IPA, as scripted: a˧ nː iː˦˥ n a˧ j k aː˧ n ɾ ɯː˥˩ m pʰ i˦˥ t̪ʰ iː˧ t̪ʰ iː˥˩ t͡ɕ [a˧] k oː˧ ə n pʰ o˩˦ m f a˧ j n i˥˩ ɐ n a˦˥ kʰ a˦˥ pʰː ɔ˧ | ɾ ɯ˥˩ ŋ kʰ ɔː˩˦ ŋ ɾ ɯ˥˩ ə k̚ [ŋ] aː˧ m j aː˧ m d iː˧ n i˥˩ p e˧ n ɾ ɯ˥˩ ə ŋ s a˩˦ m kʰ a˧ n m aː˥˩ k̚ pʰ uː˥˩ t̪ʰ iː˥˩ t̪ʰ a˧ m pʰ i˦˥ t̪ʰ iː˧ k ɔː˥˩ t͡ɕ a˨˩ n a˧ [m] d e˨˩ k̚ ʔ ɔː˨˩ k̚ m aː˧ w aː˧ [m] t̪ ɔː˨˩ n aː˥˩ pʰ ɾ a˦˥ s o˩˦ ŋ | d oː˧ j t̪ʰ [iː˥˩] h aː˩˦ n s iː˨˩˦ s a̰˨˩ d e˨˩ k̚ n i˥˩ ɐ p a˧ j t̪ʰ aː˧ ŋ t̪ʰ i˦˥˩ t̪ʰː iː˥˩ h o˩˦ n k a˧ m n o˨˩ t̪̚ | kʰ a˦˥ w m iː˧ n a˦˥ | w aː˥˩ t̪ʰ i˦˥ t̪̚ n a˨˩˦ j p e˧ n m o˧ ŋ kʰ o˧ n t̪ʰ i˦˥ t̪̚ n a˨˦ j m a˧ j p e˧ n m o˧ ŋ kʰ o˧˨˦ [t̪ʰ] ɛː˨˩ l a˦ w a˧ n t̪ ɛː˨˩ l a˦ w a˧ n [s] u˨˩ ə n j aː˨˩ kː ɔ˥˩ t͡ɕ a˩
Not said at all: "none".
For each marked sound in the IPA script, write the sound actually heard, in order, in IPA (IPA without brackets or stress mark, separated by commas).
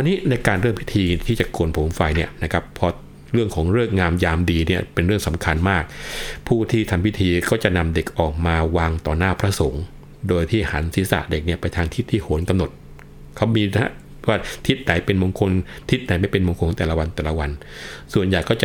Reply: a˨˩, ŋ, m, ŋ, iː˥˩, t̪, s